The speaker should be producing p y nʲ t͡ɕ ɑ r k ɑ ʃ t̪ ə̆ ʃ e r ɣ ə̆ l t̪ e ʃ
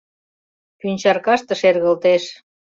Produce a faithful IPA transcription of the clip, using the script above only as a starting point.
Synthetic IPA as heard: p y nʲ t͡ɕ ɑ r k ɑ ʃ t̪ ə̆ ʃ e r ɣ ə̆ l t̪ e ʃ